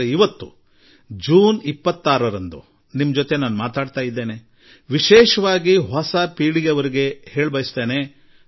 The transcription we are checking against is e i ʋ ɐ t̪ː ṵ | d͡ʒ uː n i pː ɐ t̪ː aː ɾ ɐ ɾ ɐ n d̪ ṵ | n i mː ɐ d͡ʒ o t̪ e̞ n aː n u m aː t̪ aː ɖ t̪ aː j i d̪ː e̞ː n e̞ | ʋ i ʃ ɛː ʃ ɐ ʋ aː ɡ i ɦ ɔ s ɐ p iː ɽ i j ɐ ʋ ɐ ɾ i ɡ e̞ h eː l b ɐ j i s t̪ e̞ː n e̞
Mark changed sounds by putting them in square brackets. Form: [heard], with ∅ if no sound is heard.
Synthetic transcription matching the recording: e i ʋ ɐ t̪ː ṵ | d͡ʒ uː n i pː ɐ t̪ː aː ɾ ɐ ɾ ɐ n d̪ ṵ | n i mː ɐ d͡ʒ o t̪ e̞ n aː n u m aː t̪ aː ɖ t̪ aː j i d̪ː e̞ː n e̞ | ʋ i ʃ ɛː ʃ ɐ ʋ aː ɡ i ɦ ɔ s ɐ p iː ɽ i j ɐ ʋ ɐ ɾ i ɡ e̞ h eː [ɭ] b ɐ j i s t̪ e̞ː n e̞